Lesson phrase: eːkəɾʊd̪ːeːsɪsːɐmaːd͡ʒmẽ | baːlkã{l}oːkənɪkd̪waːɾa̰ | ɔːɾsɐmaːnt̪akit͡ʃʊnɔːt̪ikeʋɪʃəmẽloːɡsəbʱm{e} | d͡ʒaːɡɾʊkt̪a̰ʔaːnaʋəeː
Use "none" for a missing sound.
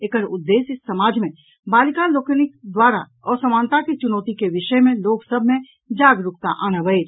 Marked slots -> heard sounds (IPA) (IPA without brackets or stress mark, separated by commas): l, ẽ